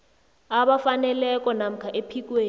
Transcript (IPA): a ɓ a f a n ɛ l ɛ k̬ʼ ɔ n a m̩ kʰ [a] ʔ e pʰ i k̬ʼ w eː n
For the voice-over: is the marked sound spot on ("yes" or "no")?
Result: yes